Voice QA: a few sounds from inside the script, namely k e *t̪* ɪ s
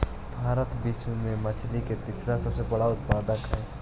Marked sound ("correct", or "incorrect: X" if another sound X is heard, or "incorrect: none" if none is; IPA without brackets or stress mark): correct